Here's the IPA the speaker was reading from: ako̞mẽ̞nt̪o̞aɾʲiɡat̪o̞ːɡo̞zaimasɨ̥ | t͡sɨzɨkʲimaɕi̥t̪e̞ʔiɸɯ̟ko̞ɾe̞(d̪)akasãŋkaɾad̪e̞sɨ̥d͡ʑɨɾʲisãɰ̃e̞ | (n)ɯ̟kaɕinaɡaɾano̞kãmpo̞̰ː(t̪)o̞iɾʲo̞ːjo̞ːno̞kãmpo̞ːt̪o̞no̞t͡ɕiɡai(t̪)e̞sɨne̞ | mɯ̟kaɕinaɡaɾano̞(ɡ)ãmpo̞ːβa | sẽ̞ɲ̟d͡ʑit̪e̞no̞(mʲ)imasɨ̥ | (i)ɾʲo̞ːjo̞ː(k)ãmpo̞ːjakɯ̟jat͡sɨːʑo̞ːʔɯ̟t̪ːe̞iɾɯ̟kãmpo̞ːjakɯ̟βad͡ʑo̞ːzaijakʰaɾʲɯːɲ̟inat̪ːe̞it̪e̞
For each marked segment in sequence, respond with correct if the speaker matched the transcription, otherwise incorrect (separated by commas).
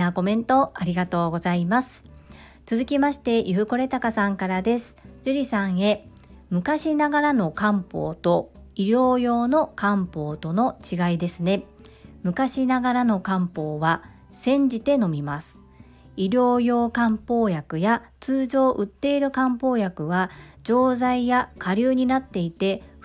incorrect, incorrect, correct, incorrect, incorrect, correct, correct, correct